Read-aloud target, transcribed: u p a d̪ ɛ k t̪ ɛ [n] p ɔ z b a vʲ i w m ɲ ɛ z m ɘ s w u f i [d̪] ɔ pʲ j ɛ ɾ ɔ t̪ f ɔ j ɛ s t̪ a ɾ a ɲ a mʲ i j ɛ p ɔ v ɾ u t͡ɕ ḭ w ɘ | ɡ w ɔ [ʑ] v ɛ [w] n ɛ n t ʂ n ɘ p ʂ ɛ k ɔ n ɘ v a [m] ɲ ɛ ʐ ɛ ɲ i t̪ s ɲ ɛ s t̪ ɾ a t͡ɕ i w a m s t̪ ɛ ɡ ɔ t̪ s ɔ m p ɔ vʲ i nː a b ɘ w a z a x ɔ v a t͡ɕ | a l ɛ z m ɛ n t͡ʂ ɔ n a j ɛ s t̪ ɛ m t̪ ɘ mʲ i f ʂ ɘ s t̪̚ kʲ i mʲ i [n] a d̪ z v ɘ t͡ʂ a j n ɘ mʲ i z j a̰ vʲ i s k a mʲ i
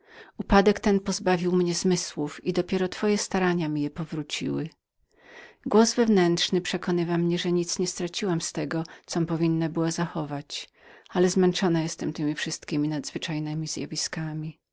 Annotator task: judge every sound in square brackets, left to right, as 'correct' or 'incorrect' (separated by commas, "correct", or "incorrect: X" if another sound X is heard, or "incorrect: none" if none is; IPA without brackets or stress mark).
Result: correct, correct, incorrect: z, incorrect: v, correct, correct